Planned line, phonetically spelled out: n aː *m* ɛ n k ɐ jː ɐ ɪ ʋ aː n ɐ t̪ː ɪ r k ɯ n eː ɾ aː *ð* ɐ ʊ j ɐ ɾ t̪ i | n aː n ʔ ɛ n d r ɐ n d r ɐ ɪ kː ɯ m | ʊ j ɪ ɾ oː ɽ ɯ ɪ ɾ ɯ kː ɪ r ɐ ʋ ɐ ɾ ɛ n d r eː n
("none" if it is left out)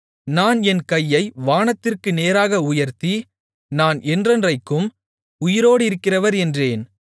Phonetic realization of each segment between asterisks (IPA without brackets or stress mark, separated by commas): n, ɣ